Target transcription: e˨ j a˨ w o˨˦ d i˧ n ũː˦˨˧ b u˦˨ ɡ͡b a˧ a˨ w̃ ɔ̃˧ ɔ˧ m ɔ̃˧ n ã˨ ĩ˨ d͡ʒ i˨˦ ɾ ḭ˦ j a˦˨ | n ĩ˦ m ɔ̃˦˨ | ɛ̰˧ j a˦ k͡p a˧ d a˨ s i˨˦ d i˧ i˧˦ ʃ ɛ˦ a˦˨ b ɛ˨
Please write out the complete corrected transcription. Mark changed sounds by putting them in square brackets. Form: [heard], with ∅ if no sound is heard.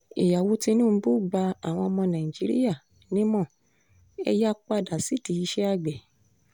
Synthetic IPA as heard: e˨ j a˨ w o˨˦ [t] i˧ n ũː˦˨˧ b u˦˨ ɡ͡b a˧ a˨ w̃ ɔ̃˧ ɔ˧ m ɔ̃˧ n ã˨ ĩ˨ d͡ʒ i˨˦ ɾ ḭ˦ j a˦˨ | n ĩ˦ m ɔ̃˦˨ | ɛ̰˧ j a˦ k͡p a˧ d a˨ s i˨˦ [t] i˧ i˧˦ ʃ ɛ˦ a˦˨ [ɡ͡b] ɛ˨